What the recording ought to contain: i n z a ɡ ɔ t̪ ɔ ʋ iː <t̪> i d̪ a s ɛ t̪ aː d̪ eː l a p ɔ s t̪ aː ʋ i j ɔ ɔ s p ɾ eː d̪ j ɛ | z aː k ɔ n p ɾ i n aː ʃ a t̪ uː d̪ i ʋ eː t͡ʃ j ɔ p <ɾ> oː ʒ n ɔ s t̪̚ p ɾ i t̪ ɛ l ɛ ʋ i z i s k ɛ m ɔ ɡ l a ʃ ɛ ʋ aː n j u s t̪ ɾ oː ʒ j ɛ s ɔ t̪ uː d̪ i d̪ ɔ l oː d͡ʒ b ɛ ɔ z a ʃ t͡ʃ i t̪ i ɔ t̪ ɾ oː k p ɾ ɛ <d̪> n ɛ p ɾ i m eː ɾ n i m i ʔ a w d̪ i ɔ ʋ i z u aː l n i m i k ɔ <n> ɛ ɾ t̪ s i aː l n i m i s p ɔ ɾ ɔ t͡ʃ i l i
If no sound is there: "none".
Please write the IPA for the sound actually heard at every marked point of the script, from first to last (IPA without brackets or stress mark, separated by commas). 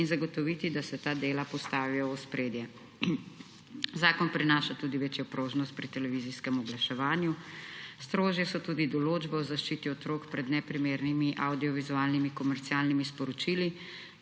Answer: t̪, ɾ, d̪, m